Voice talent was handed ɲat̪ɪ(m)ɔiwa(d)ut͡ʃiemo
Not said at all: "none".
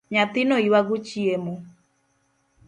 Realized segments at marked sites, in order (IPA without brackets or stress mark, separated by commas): n, ɡ